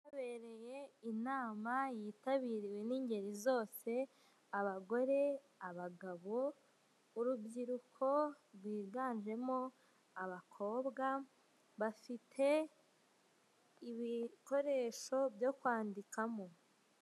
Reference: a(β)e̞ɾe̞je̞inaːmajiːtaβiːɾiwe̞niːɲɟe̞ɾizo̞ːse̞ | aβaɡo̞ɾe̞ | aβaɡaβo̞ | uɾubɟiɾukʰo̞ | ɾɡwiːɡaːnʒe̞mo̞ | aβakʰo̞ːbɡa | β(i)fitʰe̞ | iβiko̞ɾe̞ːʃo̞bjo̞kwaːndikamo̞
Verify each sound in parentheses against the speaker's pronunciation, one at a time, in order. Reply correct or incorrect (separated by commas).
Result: correct, incorrect